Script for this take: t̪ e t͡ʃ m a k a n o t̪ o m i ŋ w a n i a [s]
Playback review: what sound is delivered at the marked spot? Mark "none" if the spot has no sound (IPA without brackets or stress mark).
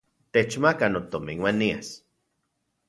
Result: s